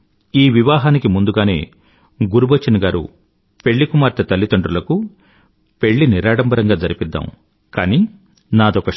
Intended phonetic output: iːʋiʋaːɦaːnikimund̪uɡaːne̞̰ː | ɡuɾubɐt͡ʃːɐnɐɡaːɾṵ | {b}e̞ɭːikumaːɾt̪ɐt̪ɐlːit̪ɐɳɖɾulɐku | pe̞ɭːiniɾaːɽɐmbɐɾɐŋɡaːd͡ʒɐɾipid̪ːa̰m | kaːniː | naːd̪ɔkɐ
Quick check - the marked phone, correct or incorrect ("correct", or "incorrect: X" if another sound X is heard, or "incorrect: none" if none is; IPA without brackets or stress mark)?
incorrect: p